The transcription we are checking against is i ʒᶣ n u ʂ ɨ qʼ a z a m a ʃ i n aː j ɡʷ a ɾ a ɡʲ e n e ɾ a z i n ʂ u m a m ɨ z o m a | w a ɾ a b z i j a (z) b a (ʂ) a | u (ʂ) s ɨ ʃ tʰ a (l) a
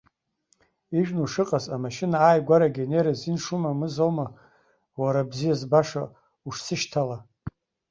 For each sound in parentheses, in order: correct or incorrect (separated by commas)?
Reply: correct, correct, correct, correct